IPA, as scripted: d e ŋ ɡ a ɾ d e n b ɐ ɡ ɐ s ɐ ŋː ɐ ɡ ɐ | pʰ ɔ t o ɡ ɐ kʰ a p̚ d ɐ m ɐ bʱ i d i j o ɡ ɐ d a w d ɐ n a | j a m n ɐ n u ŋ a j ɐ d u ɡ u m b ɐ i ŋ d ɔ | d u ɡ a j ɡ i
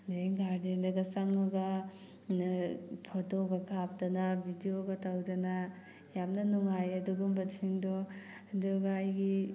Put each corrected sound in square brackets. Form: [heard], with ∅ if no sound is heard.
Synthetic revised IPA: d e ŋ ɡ a ɾ d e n [d] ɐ ɡ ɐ s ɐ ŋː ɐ ɡ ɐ | pʰ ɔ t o ɡ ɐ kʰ a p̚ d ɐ [n] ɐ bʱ i d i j o ɡ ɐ [t] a w d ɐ n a | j a m n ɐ n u ŋ a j ɐ d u ɡ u m b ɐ i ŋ d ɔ | d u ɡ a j ɡ i

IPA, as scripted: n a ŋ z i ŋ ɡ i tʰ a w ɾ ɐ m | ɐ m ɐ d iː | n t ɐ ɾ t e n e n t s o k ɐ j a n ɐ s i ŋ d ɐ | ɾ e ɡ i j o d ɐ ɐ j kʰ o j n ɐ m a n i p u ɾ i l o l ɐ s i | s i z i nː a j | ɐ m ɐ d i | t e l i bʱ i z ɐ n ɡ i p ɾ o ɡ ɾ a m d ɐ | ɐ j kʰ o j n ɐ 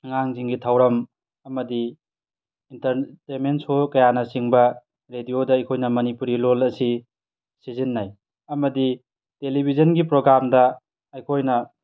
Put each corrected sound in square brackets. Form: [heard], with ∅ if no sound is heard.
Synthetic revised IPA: [ŋ] a ŋ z i ŋ ɡ i tʰ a w ɾ ɐ m | ɐ m ɐ d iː | n t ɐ ɾ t e [m] e n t s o k ɐ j a n ɐ s i ŋ [b] ɐ | ɾ e [d] i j o d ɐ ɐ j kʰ o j n ɐ m [ɐ] n i p u ɾ i l o l ɐ s i | s i z i nː a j | ɐ m ɐ d i | t e l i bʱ i z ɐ n ɡ i p ɾ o ɡ ɾ a m d ɐ | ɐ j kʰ o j n ɐ

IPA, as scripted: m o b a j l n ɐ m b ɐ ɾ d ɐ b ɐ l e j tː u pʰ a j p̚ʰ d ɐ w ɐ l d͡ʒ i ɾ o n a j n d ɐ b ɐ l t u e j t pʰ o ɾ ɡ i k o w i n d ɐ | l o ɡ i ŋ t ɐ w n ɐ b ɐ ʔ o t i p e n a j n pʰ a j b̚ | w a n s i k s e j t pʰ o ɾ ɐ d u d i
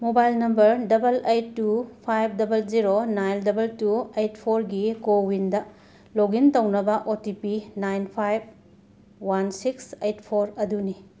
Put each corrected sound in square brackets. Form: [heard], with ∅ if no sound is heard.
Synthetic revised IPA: m o b a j l n ɐ m b ɐ ɾ d ɐ b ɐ l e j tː u pʰ a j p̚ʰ d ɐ [b] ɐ l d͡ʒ i ɾ o n a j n d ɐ b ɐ l t u e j t pʰ o ɾ ɡ i k o w i n d ɐ | l o ɡ i [n] t ɐ w n ɐ b ɐ ʔ o t i p [i] n a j n pʰ a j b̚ | w a n s i k s e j t pʰ o ɾ ɐ d u [n] i

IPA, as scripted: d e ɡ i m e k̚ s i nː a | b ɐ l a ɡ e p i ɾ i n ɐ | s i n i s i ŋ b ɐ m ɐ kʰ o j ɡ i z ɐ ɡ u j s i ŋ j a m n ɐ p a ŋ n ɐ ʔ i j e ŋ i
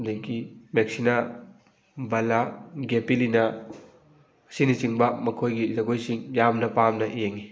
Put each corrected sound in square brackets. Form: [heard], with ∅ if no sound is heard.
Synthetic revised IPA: d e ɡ i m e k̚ s i [n] a | b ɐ l a ɡ e p i [l] i n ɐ | s i n i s i ŋ b ɐ m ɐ kʰ o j ɡ i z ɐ ɡ [o] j s i ŋ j a m n ɐ p a [m] n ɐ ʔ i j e ŋ i

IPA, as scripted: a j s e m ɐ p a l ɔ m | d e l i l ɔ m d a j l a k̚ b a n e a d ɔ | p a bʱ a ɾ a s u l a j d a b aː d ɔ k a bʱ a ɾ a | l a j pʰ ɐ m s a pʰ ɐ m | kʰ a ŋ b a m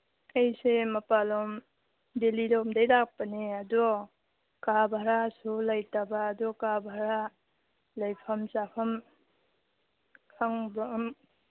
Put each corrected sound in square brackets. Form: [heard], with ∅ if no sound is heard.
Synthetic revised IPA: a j s e m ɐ p a l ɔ m | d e l i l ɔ m d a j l a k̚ [p] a n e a d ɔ | [k] a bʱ a ɾ a s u l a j [t] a b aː d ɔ k a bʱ a ɾ a | l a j pʰ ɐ m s a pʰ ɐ m | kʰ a ŋ b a m

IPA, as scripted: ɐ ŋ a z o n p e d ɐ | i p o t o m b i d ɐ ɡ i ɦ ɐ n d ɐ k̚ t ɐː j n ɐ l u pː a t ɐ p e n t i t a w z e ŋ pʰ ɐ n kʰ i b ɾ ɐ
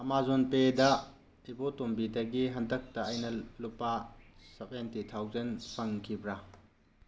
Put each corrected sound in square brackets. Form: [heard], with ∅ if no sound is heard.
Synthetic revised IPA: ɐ [m] a z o n p e d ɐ | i [b] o t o m b i d ɐ ɡ i ɦ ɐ n d ɐ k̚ t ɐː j n ɐ l u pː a [s] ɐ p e n t i [tʰ] a w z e [n] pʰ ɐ [ŋ] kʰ i b ɾ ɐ

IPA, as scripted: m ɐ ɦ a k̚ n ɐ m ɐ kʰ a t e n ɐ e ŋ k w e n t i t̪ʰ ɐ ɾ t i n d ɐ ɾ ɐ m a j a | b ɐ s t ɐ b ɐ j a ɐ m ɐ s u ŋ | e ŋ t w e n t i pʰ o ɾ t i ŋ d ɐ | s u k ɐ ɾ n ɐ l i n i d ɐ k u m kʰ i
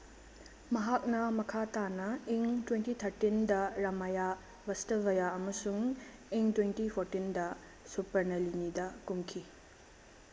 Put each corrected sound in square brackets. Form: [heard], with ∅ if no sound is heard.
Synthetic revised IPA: m ɐ ɦ a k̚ n ɐ m ɐ kʰ a t [a] n ɐ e ŋ [t] w e n t i t̪ʰ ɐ ɾ t i n d ɐ ɾ ɐ m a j a | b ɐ s t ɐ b ɐ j a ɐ m ɐ s u ŋ | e ŋ t w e n t i pʰ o ɾ t i [n] d ɐ | s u [p] ɐ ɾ n ɐ l i n i d ɐ k u m kʰ i

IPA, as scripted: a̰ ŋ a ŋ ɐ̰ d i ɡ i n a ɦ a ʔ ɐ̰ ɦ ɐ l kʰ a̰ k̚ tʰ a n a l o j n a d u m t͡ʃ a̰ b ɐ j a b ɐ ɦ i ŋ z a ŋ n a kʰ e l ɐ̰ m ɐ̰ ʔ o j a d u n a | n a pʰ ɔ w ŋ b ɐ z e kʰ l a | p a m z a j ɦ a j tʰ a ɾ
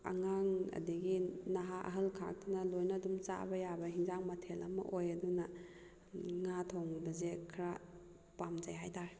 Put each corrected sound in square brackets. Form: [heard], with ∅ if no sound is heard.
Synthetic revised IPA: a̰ ŋ a ŋ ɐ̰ d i ɡ i n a ɦ a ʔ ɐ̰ ɦ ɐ l kʰ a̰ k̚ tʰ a n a l o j n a d u m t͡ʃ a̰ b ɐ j a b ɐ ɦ i ŋ z a ŋ [m] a [tʰ] e l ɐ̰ m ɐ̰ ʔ o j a d u n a | [ŋ] a [tʰ] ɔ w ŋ b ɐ z e kʰ [ɾ] a | p a m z a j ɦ a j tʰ a ɾ

